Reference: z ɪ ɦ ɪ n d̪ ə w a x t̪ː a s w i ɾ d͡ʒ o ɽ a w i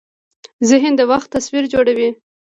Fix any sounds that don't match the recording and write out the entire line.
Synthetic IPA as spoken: z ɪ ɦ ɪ n d̪ ə w a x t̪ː a s w i ɾ d͡ʒ o ɽ a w i